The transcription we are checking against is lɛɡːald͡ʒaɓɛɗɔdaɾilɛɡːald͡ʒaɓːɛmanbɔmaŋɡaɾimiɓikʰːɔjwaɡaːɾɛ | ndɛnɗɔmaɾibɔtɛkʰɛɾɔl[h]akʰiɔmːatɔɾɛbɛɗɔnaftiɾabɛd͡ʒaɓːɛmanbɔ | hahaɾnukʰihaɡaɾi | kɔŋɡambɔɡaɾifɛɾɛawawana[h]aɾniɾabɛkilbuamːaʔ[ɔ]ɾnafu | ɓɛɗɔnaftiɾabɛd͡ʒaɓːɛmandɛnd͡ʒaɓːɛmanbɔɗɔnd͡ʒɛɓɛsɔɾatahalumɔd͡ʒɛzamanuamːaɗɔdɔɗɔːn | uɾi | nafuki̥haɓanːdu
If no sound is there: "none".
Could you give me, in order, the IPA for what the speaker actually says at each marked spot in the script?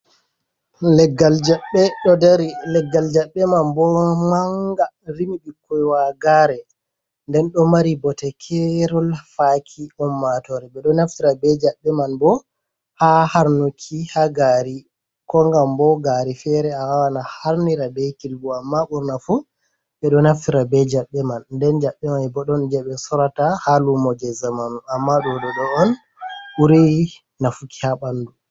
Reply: f, h, u

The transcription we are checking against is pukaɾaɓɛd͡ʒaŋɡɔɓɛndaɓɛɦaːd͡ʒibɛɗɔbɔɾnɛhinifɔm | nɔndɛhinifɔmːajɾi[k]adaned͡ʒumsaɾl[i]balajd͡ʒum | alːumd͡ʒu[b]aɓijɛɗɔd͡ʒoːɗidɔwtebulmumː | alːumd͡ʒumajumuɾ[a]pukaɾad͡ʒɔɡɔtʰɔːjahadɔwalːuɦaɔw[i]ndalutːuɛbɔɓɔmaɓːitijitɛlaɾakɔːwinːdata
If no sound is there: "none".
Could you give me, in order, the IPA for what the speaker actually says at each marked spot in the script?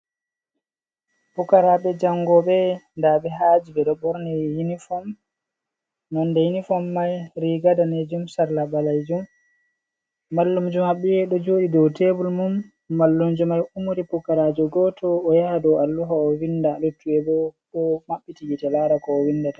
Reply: ɡ, a, m, i, i

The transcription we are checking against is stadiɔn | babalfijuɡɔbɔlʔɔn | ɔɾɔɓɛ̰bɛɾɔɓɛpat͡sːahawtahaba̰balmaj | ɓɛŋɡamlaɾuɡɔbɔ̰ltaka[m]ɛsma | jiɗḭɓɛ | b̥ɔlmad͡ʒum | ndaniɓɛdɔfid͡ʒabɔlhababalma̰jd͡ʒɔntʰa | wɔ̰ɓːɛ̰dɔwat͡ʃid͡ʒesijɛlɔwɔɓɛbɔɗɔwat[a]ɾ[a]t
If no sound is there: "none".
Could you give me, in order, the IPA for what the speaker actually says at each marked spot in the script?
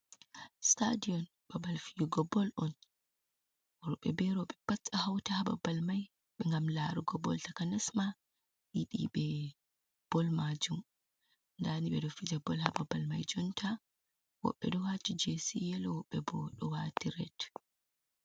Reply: n, i, ɛ

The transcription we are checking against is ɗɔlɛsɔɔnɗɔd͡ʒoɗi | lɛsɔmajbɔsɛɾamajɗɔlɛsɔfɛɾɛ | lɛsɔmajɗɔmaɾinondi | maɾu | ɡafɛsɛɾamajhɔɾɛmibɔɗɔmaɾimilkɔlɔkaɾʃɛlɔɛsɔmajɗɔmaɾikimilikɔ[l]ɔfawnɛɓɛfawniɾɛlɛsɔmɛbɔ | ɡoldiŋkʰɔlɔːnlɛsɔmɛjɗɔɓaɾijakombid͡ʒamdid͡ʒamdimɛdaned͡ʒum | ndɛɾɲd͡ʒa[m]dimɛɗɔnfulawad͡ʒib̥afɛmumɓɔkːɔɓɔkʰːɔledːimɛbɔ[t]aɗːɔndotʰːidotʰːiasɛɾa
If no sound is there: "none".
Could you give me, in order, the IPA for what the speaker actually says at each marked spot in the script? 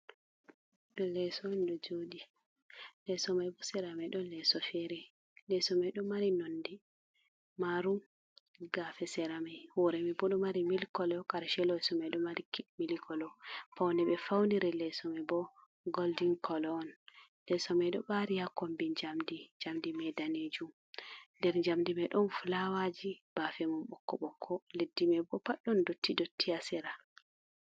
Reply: l, m, p

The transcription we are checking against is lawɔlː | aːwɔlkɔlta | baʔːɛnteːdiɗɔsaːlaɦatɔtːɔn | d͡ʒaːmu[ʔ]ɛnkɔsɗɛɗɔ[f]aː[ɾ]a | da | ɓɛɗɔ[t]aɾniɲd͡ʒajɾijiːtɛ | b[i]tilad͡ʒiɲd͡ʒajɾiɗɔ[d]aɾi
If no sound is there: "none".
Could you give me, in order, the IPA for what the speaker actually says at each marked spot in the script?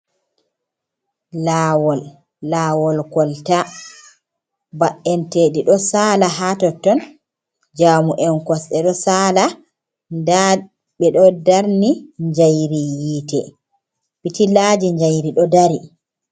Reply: ʔ, s, l, d, i, d

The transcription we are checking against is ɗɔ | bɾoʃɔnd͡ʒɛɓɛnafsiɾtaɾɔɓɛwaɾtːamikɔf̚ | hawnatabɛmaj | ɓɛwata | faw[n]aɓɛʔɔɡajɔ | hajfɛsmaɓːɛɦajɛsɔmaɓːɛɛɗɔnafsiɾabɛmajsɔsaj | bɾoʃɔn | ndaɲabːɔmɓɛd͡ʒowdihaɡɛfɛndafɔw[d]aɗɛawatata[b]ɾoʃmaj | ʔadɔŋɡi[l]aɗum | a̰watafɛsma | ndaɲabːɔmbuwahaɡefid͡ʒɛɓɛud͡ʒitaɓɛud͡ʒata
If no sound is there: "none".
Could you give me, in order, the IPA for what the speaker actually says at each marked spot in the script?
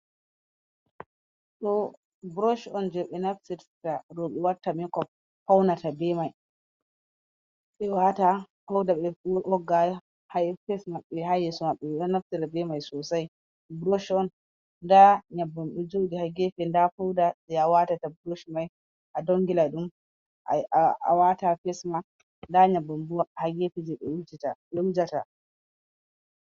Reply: d, d, b, l

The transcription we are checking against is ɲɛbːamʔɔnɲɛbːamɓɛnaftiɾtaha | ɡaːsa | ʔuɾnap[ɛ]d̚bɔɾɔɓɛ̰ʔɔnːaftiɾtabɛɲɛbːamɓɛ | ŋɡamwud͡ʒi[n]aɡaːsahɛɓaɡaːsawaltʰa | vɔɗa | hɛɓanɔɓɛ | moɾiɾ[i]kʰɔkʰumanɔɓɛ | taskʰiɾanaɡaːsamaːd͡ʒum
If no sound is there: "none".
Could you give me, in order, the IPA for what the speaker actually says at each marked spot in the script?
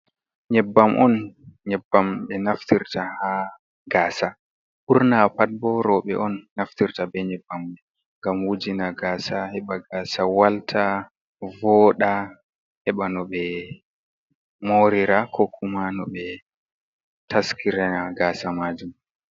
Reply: a, n, a

